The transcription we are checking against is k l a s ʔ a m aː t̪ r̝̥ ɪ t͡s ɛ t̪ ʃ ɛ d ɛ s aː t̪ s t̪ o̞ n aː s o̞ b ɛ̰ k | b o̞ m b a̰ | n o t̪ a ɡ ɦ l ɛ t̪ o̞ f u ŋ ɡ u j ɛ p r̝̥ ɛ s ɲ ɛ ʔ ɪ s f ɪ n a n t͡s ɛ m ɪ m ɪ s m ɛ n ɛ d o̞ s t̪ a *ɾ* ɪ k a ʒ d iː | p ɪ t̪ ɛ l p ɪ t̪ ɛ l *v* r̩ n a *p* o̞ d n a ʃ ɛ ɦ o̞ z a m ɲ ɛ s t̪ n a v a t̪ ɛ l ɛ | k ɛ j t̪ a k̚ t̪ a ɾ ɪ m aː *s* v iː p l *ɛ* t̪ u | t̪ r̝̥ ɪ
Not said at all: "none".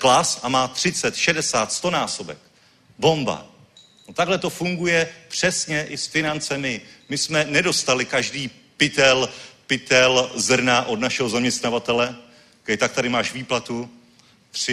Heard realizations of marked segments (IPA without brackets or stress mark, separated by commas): l, z, ʔ, ʃ, a